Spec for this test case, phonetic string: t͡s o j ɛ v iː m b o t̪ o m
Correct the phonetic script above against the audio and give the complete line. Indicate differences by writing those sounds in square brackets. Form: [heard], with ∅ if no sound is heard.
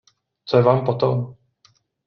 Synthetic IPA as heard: t͡s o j ɛ v [aː] m [p] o t̪ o m